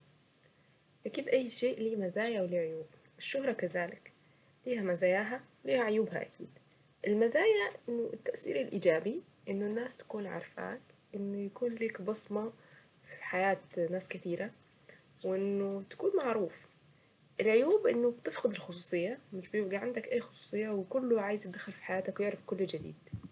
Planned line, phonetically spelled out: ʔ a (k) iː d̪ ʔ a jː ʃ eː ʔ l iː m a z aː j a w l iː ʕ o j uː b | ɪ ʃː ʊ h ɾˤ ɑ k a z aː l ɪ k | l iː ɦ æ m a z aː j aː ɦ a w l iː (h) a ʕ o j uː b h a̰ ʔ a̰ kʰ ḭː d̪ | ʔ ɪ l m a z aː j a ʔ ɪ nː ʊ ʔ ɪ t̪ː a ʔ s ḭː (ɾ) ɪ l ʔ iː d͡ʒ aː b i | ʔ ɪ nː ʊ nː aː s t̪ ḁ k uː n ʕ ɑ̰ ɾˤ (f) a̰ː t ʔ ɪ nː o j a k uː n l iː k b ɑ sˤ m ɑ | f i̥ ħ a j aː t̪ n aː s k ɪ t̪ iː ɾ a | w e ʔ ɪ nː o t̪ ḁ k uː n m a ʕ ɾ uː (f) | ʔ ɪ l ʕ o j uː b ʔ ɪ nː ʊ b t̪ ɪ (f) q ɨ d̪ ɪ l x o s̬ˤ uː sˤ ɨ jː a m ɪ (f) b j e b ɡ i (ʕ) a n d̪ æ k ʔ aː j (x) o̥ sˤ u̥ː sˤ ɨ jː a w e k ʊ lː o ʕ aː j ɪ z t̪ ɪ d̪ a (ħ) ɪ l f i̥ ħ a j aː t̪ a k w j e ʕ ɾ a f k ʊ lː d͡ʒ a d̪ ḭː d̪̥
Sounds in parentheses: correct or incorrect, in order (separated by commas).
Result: correct, correct, correct, correct, correct, correct, incorrect, correct, correct, incorrect